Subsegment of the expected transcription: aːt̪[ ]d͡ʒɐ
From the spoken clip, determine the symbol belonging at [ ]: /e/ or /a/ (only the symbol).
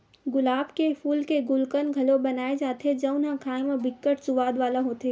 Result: e